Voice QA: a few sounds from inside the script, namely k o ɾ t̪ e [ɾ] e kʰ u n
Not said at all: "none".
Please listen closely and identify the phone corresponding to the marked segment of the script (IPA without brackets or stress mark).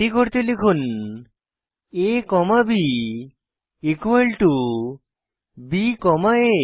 l